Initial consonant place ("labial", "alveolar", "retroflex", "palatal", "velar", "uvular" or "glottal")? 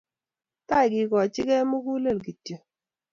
alveolar